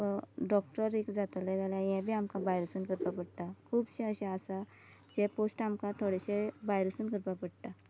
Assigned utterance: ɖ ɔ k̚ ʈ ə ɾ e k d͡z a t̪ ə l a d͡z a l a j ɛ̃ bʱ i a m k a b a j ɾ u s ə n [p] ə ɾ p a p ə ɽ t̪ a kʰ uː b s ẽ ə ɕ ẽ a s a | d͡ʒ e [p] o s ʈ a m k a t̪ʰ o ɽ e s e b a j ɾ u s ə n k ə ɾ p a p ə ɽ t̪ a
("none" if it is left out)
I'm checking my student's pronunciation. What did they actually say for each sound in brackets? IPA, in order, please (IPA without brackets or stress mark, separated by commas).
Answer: k, p